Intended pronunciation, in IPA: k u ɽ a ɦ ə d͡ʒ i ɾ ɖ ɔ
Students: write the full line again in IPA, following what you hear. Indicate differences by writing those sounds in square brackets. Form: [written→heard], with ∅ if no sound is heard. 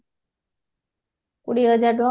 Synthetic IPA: k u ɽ [a→i] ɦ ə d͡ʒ [i→a] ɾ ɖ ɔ